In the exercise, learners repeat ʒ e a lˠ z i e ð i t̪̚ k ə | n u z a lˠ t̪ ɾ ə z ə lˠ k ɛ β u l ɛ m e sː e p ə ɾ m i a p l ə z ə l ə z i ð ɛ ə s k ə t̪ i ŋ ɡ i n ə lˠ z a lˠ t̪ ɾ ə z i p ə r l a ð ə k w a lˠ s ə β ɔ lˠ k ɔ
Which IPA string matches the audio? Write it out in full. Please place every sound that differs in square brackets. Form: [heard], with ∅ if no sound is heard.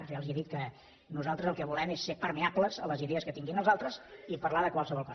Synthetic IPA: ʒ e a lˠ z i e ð i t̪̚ k ə | n u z a lˠ t̪ ɾ ə z ə lˠ k ɛ β u l ɛ m e sː e p ə ɾ m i a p l ə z ə l ə z i ð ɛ ə s k ə t̪ i ŋ ɡ i n ə lˠ z a lˠ t̪ ɾ ə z i p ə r l a ð ə k w a lˠ s ə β ɔ lˠ k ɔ